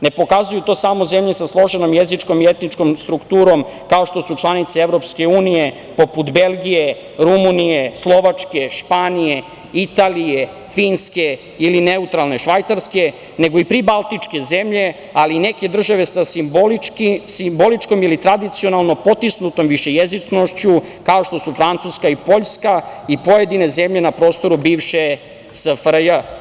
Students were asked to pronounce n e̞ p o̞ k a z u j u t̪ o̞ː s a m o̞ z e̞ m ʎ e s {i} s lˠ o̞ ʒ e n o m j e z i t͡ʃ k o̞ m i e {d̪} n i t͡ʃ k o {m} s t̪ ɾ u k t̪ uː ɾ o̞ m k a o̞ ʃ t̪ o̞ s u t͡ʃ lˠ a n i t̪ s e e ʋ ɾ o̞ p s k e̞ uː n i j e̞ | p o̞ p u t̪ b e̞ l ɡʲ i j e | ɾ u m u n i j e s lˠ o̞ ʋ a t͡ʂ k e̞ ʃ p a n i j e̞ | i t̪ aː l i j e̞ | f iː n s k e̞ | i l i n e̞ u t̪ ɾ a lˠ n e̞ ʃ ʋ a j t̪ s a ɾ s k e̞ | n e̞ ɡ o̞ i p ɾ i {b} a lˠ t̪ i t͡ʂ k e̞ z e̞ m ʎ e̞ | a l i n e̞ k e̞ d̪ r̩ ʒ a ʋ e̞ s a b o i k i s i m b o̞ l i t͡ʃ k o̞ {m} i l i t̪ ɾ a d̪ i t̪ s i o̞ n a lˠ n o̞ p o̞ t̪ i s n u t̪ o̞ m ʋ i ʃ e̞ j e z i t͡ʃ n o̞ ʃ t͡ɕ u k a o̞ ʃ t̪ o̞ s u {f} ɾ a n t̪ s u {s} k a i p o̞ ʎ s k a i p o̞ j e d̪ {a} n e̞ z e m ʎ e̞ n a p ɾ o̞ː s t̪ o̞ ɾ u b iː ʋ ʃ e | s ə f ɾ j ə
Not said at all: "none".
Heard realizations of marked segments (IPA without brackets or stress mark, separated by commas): a, t̪, m, b, m, f, s, i